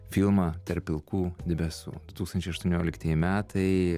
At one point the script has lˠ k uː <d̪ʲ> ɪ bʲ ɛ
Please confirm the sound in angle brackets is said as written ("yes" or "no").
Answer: yes